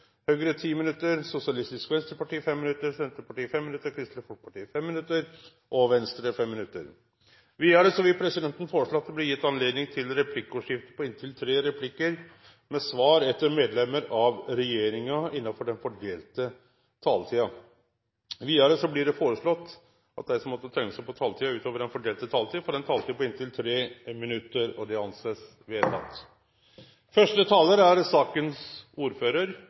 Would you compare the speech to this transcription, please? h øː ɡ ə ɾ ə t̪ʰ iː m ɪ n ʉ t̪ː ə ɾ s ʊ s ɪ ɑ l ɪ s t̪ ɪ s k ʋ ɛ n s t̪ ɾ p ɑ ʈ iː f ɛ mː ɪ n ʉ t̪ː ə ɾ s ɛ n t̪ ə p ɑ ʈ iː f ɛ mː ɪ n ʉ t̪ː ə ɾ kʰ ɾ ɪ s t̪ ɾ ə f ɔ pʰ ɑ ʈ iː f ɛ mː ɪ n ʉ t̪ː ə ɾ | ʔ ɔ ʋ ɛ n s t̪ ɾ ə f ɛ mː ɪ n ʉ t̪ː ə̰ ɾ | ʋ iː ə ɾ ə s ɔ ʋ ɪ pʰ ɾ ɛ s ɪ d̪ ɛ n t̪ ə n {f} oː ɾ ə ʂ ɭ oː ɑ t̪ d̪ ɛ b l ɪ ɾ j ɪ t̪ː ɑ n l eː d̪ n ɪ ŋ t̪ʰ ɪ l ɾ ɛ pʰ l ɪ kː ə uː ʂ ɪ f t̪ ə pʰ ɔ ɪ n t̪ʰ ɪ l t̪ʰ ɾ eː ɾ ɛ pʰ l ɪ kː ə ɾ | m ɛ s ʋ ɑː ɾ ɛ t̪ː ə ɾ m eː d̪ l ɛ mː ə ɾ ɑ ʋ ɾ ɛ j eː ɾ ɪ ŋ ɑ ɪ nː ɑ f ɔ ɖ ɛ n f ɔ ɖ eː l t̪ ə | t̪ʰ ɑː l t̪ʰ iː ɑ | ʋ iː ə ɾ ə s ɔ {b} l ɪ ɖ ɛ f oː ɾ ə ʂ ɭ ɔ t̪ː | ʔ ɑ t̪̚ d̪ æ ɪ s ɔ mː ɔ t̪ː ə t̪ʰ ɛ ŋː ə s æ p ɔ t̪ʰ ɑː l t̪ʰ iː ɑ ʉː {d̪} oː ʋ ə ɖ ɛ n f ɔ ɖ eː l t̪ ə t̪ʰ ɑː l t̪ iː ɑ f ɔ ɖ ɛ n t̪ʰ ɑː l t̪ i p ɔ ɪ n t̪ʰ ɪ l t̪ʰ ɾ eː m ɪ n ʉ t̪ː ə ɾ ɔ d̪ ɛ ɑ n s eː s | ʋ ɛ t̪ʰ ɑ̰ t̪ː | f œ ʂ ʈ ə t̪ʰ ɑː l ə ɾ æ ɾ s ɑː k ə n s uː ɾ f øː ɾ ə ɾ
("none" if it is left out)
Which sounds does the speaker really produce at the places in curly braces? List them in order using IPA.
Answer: f, b, t̪

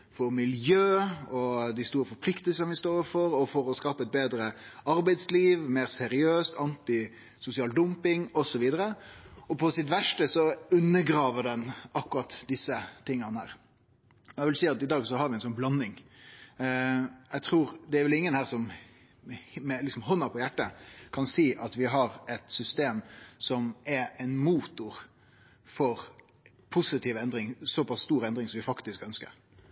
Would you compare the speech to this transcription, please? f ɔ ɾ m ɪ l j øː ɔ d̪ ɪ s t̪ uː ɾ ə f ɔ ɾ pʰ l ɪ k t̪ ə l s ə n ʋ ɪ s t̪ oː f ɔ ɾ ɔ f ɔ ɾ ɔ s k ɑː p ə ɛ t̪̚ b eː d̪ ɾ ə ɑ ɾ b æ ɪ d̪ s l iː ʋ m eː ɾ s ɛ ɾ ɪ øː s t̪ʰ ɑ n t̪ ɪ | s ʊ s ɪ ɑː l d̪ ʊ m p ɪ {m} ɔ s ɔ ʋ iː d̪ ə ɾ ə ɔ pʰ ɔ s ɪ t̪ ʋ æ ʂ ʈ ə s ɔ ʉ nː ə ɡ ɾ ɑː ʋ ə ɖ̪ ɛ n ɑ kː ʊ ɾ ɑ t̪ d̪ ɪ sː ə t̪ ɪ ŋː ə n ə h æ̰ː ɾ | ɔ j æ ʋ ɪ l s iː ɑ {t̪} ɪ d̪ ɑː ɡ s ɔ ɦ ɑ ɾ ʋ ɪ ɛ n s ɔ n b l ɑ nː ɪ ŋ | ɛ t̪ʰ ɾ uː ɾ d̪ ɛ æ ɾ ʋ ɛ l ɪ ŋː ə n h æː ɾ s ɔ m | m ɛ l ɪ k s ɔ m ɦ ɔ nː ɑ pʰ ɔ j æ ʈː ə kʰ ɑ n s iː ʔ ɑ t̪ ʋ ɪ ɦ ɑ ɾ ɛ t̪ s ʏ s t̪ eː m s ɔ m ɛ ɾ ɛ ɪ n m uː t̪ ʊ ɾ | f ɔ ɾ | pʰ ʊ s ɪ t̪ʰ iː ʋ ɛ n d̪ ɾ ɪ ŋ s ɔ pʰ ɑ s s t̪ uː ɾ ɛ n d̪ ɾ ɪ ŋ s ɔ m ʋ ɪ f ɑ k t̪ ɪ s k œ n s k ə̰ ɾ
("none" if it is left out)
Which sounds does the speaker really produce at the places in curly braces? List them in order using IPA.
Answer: ŋ, t̪

